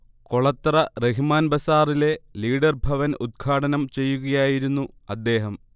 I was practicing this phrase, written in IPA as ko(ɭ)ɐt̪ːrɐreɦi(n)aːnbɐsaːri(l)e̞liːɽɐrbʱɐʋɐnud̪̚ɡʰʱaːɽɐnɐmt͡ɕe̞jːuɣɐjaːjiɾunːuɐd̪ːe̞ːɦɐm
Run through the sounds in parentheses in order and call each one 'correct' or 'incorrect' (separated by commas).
correct, incorrect, correct